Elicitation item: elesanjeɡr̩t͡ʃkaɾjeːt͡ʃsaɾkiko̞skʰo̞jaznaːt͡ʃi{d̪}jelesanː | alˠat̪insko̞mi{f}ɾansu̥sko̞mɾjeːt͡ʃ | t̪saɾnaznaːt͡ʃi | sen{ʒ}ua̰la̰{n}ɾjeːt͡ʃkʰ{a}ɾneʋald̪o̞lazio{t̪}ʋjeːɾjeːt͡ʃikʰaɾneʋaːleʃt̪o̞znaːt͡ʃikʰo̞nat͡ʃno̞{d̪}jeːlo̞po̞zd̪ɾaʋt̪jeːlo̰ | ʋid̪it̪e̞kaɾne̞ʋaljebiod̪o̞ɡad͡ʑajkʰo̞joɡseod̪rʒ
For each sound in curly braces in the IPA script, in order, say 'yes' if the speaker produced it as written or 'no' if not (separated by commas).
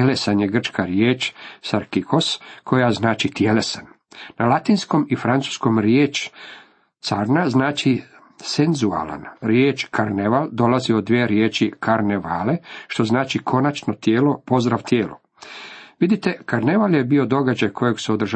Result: no, yes, no, yes, yes, no, no